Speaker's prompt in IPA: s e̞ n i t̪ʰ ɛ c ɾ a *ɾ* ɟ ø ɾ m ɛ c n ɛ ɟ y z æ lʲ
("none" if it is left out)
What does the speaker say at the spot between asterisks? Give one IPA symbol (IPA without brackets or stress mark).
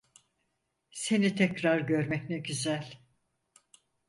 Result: ɾ